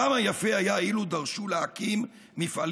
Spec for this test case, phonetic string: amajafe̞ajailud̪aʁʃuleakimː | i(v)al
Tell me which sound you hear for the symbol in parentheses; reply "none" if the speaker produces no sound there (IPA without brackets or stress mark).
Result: f